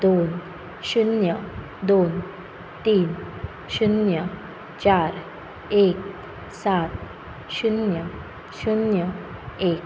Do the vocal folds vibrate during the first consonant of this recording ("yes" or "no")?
yes